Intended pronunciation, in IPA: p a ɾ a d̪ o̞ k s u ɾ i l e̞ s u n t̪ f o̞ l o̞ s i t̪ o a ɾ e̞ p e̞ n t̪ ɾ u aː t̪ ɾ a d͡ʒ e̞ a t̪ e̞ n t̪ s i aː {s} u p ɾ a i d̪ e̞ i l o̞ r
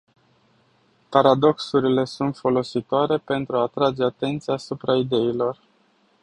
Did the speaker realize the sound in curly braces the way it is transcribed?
yes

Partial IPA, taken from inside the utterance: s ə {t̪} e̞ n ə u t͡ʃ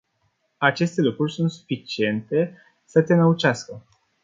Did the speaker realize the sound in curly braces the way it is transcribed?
yes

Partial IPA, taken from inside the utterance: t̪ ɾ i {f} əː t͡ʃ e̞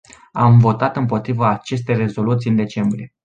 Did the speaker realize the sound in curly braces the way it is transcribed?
no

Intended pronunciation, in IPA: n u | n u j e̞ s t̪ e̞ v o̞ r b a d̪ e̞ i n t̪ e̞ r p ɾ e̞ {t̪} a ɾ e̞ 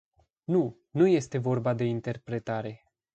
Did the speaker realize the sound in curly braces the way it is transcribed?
yes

